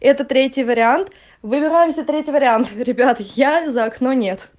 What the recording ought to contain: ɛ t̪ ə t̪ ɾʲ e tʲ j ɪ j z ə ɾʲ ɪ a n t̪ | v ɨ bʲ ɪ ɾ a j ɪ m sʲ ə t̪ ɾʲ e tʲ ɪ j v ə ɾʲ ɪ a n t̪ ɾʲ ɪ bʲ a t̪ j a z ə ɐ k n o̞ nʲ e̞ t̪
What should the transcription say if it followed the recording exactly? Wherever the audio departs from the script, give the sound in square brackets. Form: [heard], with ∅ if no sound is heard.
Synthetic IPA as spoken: ɛ t̪ ə t̪ ɾʲ e tʲ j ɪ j [v] ə ɾʲ ɪ a n t̪ | v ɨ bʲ ɪ ɾ a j ɪ m sʲ ə t̪ ɾʲ e tʲ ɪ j v ə ɾʲ ɪ a n t̪ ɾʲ ɪ bʲ a t̪ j a z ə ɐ k n o̞ nʲ e̞ t̪